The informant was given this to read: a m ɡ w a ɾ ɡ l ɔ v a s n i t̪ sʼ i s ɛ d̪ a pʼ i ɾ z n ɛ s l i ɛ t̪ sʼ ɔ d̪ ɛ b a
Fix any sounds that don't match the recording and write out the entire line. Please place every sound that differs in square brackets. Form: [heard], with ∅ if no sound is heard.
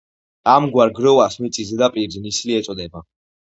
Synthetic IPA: a m ɡ w a ɾ ɡ [ɾ] ɔ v a s [m] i t̪ sʼ i [z] ɛ d̪ a pʼ i ɾ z n [i] s l i ɛ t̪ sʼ ɔ d̪ ɛ b a